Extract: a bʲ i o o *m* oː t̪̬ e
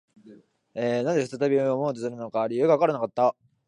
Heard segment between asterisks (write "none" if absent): m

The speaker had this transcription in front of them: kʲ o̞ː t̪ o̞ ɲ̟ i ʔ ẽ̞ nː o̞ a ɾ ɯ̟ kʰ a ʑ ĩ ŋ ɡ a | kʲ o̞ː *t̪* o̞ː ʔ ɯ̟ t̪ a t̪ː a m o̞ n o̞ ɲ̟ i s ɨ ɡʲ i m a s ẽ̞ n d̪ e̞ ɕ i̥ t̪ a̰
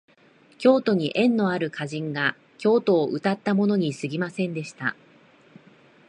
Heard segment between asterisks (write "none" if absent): t̪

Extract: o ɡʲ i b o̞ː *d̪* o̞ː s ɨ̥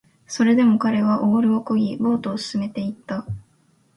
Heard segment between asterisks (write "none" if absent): t̪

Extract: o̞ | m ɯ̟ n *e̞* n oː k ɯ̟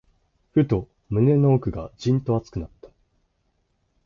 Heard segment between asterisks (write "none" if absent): e̞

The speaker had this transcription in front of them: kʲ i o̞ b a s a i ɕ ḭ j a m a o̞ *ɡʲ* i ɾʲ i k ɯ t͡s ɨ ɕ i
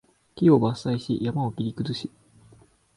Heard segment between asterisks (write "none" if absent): kʲ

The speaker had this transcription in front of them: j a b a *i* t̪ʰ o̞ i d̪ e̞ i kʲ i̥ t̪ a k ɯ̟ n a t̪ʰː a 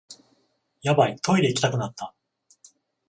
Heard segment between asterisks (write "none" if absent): i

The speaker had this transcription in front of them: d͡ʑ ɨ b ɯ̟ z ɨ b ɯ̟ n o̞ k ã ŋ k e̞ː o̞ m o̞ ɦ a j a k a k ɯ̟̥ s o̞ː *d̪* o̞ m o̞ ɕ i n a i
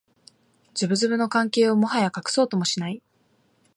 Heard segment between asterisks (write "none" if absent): t̪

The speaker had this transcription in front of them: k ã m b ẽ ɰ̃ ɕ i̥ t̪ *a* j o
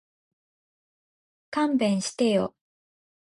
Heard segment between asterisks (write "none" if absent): e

